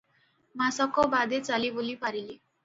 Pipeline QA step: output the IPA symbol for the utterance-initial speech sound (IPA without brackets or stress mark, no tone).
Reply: m